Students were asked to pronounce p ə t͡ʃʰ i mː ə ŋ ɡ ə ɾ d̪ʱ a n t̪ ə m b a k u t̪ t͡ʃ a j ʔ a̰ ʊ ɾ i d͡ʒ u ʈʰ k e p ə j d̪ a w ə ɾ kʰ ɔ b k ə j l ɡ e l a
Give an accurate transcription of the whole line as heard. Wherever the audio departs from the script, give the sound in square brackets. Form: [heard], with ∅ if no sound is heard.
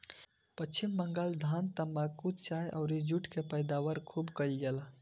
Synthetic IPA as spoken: p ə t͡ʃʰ i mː ə ŋ ɡ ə [l] d̪ʱ a n t̪ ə m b a k u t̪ t͡ʃ a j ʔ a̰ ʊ ɾ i d͡ʒ u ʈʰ k e p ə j d̪ a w ə ɾ kʰ [u] b k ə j l ɡ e l a